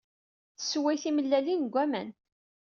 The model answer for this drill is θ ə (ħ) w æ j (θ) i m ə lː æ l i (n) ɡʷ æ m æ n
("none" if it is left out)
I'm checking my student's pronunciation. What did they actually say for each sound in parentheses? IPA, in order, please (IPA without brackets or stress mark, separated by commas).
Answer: s, θ, n